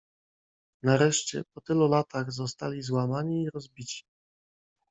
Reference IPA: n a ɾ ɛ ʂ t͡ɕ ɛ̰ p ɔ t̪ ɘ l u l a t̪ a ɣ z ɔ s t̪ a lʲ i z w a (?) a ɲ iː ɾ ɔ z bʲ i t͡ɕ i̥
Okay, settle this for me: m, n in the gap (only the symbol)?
m